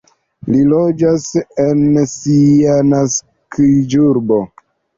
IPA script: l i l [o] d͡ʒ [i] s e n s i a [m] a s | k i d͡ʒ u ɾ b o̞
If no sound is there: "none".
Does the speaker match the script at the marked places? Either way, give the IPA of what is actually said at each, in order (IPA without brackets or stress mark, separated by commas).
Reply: o, a, n